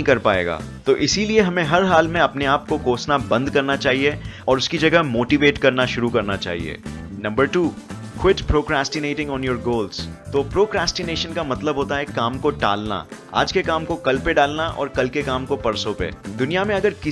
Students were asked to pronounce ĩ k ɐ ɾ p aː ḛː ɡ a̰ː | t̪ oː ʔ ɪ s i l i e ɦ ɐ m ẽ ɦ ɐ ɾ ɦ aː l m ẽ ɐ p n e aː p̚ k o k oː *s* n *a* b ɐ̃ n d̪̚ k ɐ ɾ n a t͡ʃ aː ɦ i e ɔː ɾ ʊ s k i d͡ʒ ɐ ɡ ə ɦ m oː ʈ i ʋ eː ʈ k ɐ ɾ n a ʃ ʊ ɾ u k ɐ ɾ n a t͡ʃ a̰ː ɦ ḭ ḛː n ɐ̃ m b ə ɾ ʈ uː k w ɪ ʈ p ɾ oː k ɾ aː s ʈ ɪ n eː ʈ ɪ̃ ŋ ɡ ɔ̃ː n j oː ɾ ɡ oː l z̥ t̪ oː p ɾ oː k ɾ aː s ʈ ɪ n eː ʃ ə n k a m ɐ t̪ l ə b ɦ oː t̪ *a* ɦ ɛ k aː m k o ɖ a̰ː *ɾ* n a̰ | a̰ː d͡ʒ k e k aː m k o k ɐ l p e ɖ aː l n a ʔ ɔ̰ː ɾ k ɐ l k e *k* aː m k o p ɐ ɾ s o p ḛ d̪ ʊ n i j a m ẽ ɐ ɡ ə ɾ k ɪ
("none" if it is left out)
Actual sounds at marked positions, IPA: s, a, a, l, k

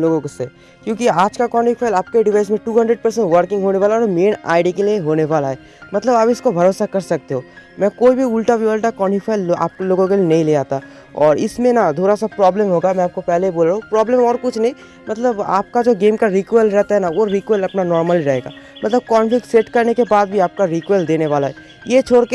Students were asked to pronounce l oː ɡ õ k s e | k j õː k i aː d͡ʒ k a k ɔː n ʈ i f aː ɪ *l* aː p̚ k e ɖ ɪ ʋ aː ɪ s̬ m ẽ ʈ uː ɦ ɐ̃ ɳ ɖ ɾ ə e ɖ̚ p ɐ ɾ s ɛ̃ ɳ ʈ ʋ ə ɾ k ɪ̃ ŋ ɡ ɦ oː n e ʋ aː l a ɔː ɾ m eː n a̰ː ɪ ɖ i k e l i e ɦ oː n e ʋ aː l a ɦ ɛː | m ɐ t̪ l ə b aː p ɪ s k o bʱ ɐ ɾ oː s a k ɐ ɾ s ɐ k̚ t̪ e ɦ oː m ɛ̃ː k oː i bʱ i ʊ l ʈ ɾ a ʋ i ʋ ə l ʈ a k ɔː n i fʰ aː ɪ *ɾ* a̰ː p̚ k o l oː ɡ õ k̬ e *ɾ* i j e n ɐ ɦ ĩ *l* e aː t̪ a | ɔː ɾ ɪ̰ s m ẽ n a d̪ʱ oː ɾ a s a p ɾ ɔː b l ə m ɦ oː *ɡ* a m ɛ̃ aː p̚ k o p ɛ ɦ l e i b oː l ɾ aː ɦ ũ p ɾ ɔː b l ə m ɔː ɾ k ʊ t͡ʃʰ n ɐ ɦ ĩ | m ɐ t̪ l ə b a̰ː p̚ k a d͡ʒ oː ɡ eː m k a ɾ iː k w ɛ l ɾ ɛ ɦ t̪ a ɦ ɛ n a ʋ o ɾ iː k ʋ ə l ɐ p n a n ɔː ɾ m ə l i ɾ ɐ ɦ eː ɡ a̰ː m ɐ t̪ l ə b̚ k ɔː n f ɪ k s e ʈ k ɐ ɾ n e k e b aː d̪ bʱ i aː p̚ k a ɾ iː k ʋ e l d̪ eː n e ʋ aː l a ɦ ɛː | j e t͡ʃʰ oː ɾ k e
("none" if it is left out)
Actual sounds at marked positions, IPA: l, l, l, l, ɡ

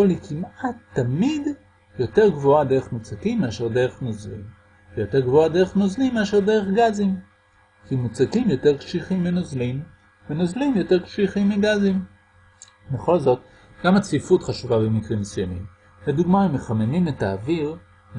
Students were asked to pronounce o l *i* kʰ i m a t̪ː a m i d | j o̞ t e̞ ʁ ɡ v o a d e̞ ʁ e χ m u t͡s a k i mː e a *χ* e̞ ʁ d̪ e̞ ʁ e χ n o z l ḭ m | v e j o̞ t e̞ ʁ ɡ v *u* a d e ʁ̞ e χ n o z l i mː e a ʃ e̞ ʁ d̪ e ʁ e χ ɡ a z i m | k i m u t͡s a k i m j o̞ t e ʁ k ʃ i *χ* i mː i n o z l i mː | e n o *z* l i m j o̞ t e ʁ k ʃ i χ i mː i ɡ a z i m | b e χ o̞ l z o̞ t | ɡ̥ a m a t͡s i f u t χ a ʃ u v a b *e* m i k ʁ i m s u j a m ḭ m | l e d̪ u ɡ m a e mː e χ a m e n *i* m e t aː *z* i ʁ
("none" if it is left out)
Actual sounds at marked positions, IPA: i, ʃ, o, χ, z, e, i, v

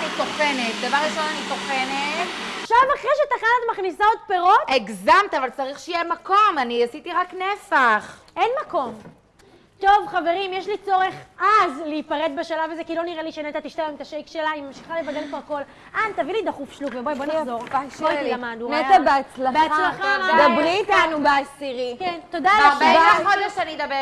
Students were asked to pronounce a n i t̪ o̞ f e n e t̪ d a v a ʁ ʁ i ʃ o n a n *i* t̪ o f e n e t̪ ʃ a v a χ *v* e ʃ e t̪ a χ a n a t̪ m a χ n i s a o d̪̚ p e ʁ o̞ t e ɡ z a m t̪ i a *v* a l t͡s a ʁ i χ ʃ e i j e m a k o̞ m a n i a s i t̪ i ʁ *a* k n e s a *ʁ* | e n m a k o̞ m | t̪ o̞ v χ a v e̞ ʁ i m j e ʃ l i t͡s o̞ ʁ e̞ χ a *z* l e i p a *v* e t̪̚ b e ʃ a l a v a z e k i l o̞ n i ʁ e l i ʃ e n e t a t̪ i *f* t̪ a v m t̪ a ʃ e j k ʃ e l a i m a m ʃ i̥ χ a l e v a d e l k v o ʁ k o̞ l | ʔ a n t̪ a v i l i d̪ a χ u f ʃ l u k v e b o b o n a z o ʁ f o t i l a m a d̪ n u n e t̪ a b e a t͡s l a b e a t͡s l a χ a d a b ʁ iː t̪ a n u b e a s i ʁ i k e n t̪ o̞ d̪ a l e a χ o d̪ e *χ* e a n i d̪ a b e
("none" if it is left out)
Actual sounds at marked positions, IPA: i, ʁ, v, a, χ, z, ʁ, ʃ, ʃ

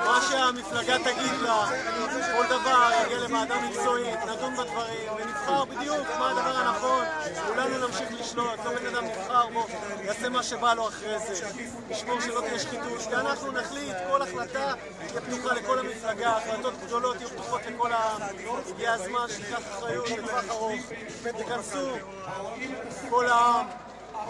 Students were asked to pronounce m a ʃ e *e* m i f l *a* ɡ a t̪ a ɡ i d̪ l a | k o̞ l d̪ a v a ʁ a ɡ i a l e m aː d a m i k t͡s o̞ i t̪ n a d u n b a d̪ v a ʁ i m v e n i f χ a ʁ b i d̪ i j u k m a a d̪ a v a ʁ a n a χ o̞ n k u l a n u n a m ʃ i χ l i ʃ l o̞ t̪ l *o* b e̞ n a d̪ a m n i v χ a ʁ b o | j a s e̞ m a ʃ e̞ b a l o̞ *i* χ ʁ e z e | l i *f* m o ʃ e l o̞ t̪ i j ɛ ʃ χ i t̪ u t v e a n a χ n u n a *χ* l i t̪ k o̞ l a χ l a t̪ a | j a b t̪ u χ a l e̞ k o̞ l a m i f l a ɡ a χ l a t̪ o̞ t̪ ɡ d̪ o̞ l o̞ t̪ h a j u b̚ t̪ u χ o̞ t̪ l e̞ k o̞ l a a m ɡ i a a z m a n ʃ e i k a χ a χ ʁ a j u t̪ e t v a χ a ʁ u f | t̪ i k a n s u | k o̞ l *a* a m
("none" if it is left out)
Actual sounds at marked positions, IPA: a, a, o, a, ʃ, χ, a

